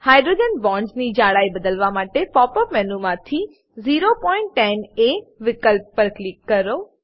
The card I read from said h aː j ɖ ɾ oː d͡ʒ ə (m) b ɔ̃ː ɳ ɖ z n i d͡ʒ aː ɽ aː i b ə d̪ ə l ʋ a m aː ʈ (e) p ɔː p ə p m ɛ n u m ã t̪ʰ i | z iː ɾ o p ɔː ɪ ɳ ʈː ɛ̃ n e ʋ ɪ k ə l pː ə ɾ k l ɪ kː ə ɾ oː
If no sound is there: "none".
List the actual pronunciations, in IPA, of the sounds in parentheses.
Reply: n, e

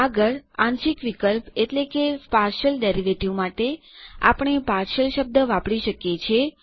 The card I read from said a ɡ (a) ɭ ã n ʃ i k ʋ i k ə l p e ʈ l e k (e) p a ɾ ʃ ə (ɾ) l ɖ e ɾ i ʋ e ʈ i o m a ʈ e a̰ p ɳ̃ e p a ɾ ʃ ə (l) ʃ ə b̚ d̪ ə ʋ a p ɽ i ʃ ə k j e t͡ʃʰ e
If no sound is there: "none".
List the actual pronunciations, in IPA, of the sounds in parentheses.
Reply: ə, e, none, l

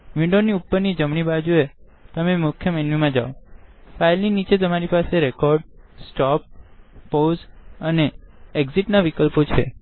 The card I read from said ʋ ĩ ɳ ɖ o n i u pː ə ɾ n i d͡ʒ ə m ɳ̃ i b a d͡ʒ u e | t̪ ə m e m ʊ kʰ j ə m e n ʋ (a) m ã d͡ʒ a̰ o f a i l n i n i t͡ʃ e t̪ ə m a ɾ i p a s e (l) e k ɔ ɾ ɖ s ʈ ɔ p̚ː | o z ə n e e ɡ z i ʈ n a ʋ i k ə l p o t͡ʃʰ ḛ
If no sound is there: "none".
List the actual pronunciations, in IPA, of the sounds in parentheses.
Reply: i, ɾ

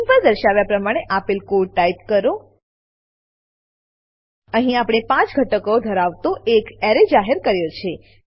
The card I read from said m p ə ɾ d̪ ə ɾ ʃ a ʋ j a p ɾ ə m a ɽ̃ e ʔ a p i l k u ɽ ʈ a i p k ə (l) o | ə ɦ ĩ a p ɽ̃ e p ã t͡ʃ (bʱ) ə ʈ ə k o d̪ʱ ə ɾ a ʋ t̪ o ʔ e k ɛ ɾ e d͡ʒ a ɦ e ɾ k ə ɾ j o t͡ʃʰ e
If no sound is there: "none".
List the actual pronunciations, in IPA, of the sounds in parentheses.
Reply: ɾ, ɡʱ

